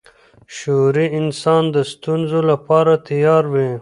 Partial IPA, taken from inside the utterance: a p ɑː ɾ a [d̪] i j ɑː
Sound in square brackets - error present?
yes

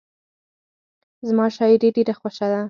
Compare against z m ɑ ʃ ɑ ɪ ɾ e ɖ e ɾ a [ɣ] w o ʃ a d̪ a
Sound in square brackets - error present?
yes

